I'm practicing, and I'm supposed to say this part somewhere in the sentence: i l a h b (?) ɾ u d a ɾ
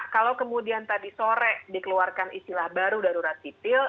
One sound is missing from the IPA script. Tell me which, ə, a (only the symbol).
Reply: a